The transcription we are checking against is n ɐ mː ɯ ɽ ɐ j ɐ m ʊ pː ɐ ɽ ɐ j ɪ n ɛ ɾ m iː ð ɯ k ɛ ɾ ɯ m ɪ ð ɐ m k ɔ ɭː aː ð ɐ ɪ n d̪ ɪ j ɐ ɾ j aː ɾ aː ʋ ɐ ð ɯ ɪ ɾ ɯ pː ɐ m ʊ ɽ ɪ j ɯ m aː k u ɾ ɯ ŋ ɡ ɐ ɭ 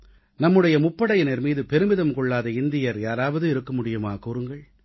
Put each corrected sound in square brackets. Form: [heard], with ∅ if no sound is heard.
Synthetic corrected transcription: n ɐ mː ɯ ɽ ɐ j ɐ m ʊ pː ɐ ɽ ɐ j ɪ n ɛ ɾ m iː ð ɯ [p] ɛ ɾ ɯ m ɪ ð ɐ m k ɔ ɭː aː ð ɐ ɪ n d̪ ɪ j ɐ ɾ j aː ɾ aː ʋ ɐ ð ɯ ɪ ɾ ɯ [kː] ɐ m ʊ ɽ ɪ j ɯ m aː k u ɾ ɯ ŋ ɡ ɐ ɭ

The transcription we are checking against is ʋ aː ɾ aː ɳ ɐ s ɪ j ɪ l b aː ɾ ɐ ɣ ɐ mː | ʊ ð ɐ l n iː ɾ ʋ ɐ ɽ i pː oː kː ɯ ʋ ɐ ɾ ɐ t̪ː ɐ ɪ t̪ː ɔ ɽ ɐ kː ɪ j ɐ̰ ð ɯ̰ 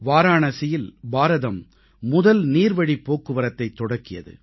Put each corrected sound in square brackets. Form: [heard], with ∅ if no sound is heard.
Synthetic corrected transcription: ʋ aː ɾ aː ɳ ɐ s ɪ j ɪ l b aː ɾ ɐ [ð] ɐ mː | ʊ ð ɐ l n iː ɾ ʋ ɐ ɽ i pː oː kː ɯ ʋ ɐ ɾ ɐ t̪ː ɐ ɪ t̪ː ɔ ɽ ɐ kː ɪ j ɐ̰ ð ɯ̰

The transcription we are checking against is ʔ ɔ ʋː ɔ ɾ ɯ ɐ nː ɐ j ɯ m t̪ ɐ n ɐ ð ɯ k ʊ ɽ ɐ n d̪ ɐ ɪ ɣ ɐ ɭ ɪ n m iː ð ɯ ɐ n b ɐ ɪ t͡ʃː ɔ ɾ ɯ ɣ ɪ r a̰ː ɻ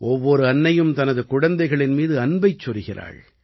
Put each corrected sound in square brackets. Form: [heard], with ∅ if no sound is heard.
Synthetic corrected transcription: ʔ ɔ ʋː ɔ ɾ ɯ ɐ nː ɐ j ɯ m t̪ ɐ n ɐ ð ɯ k ʊ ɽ ɐ n d̪ ɐ ɪ ɣ ɐ ɭ ɪ n m iː ð ɯ ɐ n b ɐ ɪ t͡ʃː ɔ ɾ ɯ ɣ ɪ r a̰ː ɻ

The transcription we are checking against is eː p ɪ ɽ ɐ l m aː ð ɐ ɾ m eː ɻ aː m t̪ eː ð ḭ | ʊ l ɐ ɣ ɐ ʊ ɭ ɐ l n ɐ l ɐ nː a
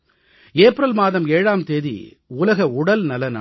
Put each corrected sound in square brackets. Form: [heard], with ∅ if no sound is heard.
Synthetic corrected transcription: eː p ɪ [ɾ] ɐ l m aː ð ɐ [∅] m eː ɻ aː m t̪ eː ð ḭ | ʊ l ɐ ɣ ɐ ʊ [ɽ] ɐ l n ɐ l ɐ [n] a

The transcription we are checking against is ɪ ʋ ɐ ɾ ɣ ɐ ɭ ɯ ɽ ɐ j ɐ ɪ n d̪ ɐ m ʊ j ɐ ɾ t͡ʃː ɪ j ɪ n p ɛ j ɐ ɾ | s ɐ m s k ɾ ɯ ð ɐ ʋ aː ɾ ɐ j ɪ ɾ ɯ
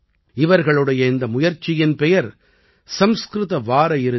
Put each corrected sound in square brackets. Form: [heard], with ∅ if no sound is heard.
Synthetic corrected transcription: ɪ ʋ ɐ ɾ ɣ ɐ ɭ ɯ ɽ ɐ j ɐ ɪ n d̪ ɐ m ʊ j ɐ ɾ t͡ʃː ɪ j ɪ n p ɛ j ɐ ɾ | s ɐ m s k ɾ ɯ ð ɐ ʋ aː ɾ ɐ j ɪ ɾ ɯ

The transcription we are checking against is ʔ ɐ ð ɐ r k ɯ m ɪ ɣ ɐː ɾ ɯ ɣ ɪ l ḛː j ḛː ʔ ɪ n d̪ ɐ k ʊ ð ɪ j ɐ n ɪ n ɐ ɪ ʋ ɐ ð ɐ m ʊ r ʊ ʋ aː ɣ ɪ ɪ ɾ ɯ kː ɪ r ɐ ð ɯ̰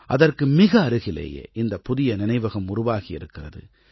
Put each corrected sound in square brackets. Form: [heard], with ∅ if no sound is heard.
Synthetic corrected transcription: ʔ ɐ ð ɐ r k ɯ m ɪ ɣ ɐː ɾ ɯ ɣ ɪ l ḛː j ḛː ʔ ɪ n d̪ ɐ [p] ʊ ð ɪ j ɐ n ɪ n ɐ ɪ ʋ ɐ [ɣ] ɐ m ʊ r ʊ ʋ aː ɣ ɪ ɪ ɾ ɯ kː ɪ r ɐ ð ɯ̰

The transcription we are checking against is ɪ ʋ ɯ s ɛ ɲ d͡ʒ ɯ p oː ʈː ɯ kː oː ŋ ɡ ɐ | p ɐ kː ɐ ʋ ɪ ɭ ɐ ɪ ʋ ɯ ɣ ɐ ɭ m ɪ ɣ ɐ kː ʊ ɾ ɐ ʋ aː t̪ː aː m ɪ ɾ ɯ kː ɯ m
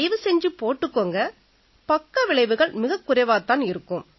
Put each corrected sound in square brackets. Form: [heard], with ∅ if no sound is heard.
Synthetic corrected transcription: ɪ ʋ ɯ s ɛ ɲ d͡ʒ ɯ p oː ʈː ɯ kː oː ŋ ɡ ɐ | p ɐ kː ɐ ʋ ɪ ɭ ɐ ɪ ʋ ɯ ɣ ɐ ɭ m ɪ ɣ ɐ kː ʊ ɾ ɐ ʋ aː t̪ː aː [n] ɪ ɾ ɯ kː ɯ m

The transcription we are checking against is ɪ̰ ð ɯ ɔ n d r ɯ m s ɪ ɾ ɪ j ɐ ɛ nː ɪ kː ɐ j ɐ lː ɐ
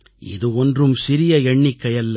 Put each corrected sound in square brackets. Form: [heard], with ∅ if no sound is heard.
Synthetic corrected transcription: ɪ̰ ð ɯ ɔ n d r ɯ m s ɪ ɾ ɪ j ɐ ɛ [ɳː] ɪ kː ɐ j ɐ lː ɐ

